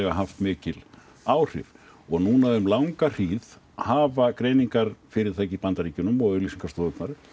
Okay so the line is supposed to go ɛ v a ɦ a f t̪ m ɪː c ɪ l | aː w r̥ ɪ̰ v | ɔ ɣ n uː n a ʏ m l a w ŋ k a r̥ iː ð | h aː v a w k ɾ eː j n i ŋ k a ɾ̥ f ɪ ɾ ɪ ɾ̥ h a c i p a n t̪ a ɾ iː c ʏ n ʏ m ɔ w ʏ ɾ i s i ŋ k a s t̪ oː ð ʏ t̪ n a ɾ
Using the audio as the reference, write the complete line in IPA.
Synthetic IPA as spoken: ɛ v a ɦ a f t̪ m ɪː c ɪ l | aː w r̥ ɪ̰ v | ɔ ɣ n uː n a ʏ m l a w ŋ k a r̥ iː ð | h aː v a k ɾ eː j n i ŋ k a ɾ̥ f ɪ ɾ ɪ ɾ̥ θ a c i p a n t̪ a ɾ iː c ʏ n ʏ m ɔ ɣ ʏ l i s i ŋ k a s t̪ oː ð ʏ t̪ n a ɾ